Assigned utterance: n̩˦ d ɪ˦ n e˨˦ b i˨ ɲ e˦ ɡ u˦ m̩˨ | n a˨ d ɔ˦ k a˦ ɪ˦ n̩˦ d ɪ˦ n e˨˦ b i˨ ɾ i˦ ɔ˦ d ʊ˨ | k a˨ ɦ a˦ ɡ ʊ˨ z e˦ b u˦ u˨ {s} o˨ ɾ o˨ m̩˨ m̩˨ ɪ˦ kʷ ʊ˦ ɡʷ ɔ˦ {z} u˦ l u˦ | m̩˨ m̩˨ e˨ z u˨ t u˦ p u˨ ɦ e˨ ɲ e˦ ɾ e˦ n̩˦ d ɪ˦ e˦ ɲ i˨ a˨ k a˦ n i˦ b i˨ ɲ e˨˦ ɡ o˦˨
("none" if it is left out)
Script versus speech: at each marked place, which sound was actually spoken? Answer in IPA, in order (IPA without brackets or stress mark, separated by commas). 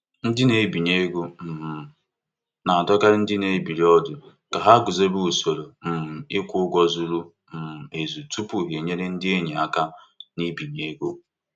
s, z